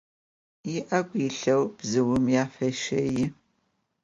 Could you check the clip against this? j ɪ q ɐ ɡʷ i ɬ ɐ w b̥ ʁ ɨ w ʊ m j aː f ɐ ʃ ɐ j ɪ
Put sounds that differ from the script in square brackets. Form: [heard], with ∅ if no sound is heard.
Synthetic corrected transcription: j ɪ [ʔ] ɐ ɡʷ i ɬ ɐ w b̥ [z] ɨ w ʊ m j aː f ɐ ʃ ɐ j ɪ